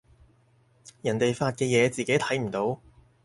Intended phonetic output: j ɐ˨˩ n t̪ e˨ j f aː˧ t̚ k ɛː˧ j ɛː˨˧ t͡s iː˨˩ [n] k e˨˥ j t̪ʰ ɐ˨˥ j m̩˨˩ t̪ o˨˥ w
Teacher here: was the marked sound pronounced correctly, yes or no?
no